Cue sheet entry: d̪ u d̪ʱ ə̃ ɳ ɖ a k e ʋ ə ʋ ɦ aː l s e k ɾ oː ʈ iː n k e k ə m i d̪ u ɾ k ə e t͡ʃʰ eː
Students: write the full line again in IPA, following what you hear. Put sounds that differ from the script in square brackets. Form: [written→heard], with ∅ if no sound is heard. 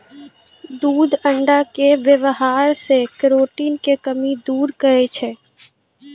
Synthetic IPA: d̪ [u→uː] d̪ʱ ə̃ ɳ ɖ a k e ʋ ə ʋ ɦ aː [l→ɾ] s e k ɾ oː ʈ iː n k e k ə m i d̪ [u→uː] ɾ k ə e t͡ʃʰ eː

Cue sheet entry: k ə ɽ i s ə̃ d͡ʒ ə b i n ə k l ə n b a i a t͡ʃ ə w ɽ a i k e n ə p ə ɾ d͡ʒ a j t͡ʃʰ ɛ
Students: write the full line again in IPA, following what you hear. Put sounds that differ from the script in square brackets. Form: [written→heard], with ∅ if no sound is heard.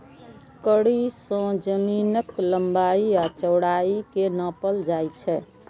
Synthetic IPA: k ə ɽ i s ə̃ d͡ʒ ə [b→m] i n ə k l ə [n→m] b a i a t͡ʃ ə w ɽ a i k e n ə p ə [ɾ→l] d͡ʒ a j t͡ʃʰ ɛ

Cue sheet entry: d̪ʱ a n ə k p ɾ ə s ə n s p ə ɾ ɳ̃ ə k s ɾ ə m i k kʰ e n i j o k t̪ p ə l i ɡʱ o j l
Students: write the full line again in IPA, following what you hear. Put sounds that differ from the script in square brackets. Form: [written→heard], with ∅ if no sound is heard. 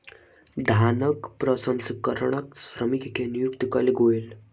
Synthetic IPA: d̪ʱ a n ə k p ɾ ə s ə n s [p→k] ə ɾ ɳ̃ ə k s ɾ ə m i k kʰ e n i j [o→u] k t̪ [p→k] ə l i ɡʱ o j l

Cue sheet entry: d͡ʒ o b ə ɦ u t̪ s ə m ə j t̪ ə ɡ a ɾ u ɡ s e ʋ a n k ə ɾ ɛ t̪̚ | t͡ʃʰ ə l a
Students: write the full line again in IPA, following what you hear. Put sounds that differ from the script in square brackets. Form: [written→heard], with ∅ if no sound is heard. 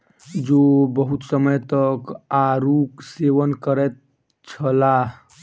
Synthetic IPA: d͡ʒ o b ə ɦ u t̪ s ə m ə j t̪ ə [ɡ→k] a ɾ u [ɡ→k] s e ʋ [a→ə] n k ə ɾ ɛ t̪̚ | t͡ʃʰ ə l a

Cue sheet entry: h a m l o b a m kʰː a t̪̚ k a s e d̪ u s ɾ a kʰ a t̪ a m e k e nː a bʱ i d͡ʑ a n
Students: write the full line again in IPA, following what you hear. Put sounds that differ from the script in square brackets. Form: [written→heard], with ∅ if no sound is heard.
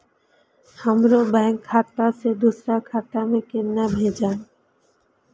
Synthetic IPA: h a m [l→ɾ] o b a [m→ŋ] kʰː a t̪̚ [k→p] a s e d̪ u s ɾ a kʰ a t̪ a m e k e nː a bʱ [i→e] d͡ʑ a n

